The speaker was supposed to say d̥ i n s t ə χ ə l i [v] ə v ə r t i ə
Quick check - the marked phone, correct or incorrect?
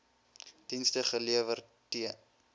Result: incorrect